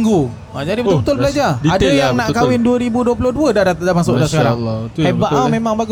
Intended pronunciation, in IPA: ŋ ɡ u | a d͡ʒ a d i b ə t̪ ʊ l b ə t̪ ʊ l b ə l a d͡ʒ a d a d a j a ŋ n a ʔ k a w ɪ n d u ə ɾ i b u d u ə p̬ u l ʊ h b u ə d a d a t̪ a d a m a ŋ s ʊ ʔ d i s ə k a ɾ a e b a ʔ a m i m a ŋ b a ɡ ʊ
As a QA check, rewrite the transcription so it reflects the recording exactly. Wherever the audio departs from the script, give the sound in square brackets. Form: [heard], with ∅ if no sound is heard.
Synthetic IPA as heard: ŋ ɡ u | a d͡ʒ a d i b ə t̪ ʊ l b ə t̪ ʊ l b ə l a d͡ʒ a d a d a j a ŋ n a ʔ k a w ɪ n d u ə ɾ i b u d u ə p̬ u l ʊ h [d] u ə d a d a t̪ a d a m a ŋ s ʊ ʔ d [a] s ə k a ɾ a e b a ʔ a m [e] m a ŋ b a ɡ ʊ